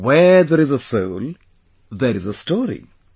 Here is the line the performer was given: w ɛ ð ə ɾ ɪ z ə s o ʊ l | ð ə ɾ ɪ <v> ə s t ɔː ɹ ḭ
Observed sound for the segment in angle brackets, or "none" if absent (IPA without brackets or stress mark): z